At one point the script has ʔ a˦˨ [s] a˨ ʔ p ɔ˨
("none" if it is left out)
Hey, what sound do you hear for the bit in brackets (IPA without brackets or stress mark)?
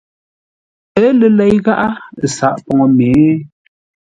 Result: s